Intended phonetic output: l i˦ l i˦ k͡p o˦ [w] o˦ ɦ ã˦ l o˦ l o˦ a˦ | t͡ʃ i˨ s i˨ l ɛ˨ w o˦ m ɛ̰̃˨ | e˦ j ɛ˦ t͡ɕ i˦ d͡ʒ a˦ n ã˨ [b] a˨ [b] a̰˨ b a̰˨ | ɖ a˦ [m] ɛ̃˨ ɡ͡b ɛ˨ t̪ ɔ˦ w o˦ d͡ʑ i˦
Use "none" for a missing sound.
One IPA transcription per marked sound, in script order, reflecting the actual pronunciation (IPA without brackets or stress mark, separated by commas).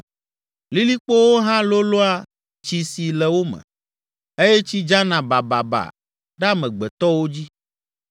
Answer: w, b, b, m